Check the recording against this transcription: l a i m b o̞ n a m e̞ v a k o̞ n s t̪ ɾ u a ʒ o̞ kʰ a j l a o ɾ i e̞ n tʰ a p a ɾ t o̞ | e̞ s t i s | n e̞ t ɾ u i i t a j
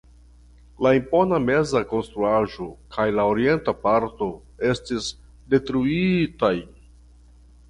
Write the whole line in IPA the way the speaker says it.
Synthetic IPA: l a i m p o̞ n a m e̞ z a k o̞ n s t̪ ɾ u a ʒ o̞ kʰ a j l a o ɾ i e̞ n t a p a ɾ t o̞ | e̞ s t i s | d e̞ t ɾ u i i t a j